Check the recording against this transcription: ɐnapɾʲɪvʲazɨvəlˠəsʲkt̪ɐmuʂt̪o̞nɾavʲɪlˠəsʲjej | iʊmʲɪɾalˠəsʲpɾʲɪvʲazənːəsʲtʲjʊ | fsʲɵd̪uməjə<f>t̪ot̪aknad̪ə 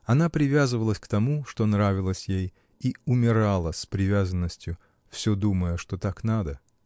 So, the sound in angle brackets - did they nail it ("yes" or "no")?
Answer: no